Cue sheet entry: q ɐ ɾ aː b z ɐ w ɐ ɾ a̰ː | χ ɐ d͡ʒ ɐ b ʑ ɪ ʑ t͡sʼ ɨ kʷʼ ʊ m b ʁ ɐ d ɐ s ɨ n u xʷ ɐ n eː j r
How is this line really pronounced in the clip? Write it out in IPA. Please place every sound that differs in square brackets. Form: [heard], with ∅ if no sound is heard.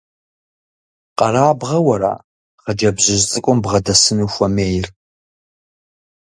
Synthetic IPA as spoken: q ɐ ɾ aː b [ʁ] ɐ w ɐ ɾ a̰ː | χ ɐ d͡ʒ ɐ b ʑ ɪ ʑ t͡sʼ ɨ kʷʼ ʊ m b ʁ ɐ d ɐ s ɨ n u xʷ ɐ [m] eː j r